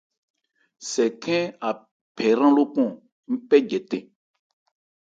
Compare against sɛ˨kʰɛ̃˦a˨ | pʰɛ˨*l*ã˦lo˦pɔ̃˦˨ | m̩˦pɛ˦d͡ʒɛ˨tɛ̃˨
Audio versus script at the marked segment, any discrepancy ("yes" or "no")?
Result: yes